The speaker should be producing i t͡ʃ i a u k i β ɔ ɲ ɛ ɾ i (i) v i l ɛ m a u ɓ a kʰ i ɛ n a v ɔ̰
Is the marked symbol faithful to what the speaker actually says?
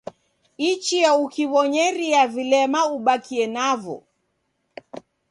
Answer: no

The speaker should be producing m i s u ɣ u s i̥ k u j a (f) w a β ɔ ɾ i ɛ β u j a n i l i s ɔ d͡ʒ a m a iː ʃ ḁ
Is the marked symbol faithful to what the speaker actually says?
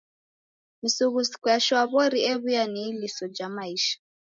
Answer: no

